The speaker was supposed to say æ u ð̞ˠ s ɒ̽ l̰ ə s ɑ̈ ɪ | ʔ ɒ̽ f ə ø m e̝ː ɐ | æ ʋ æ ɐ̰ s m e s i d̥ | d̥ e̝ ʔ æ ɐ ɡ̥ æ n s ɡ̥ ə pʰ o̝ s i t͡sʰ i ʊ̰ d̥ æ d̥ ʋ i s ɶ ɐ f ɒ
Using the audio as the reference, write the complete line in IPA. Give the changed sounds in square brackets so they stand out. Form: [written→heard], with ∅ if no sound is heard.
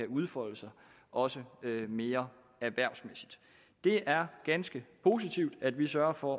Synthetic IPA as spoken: æ u ð̞ˠ [s→f] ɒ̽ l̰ ə s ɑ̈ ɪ | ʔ ɒ̽ [f→s] ə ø m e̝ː ɐ | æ ʋ æ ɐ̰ s m e s i d̥ | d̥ e̝ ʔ æ ɐ ɡ̥ æ n s ɡ̥ ə pʰ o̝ s i t͡sʰ i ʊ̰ d̥ æ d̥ ʋ i s ɶ ɐ f ɒ